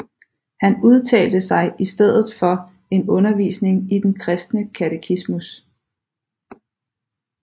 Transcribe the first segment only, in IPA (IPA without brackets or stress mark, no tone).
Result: h